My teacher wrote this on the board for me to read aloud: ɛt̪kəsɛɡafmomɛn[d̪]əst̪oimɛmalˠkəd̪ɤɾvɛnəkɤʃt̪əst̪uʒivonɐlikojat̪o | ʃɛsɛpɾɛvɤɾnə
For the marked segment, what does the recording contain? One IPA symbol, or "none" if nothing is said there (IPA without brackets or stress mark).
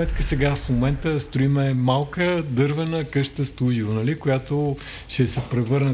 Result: t̪